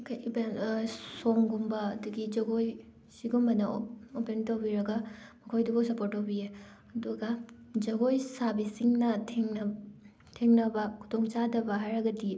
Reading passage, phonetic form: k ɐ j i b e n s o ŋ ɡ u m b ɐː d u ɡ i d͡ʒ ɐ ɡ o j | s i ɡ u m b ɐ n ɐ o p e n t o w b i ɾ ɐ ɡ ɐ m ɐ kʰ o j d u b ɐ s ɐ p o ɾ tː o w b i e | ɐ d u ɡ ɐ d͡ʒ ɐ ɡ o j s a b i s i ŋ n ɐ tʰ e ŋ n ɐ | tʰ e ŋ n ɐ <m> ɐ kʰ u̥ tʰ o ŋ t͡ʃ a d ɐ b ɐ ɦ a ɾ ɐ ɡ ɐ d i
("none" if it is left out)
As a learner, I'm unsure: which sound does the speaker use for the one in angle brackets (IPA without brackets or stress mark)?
b